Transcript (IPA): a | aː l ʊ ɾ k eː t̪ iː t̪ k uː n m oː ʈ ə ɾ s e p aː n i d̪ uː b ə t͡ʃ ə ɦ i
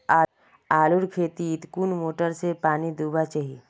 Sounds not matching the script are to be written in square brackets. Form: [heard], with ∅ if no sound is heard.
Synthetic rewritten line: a | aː l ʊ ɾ [kʰ] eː t̪ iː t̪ k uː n m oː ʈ ə ɾ s e p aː n i d̪ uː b [a] t͡ʃ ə ɦ i

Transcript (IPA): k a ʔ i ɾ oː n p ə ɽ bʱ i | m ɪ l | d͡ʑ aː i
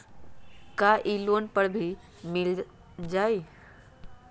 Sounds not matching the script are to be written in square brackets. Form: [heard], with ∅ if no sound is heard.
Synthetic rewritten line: k a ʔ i [l] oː n p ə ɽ bʱ i | m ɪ l | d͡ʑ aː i

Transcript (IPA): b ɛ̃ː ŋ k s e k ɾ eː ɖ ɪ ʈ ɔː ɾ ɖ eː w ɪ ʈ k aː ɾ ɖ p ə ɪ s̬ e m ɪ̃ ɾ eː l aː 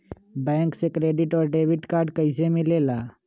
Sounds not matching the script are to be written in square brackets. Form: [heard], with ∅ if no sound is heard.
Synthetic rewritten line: b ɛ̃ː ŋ k s e k ɾ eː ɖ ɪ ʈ ɔː ɾ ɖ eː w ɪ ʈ k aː ɾ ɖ [k] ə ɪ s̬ e m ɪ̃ [l] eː l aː

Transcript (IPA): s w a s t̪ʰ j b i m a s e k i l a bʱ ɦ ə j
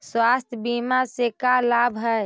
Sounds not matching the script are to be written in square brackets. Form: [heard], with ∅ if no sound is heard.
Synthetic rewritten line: s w a s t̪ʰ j b i m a s e k [a] l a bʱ ɦ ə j

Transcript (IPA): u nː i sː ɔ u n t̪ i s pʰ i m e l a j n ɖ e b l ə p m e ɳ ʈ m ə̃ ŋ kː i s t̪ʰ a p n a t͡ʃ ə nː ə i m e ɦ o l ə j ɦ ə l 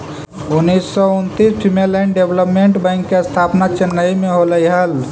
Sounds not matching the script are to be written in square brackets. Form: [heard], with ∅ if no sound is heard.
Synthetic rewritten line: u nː i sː ɔ u n t̪ i s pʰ i m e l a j n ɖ e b l ə p m e ɳ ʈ [b] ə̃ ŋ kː [e] s t̪ʰ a p n a t͡ʃ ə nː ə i m e ɦ o l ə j ɦ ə l

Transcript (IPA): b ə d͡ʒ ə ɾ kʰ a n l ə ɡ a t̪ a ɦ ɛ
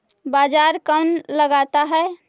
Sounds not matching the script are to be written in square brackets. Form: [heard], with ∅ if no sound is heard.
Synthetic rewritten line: b [a] d͡ʒ [a] ɾ [k] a n l ə ɡ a t̪ a ɦ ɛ

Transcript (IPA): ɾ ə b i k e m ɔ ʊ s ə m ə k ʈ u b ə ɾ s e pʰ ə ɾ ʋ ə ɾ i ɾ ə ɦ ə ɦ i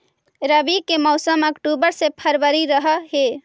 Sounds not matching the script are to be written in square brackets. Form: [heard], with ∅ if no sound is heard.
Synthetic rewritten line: ɾ ə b i k e m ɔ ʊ s ə m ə k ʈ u b ə ɾ s e pʰ ə ɾ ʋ ə ɾ i ɾ ə ɦ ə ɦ [e]

